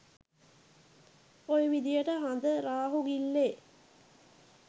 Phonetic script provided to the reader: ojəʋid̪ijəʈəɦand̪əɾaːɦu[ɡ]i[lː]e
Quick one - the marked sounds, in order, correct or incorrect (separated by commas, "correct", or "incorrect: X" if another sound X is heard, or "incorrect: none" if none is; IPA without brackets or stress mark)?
correct, correct